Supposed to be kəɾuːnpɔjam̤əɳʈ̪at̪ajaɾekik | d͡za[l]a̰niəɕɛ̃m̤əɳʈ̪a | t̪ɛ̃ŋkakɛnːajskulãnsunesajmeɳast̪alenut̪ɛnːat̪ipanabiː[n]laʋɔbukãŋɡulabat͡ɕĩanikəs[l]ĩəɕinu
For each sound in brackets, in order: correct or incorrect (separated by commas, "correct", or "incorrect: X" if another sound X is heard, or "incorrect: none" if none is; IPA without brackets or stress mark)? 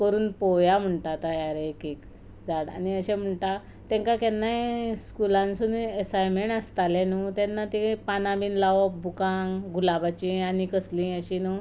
incorrect: ɽ, correct, correct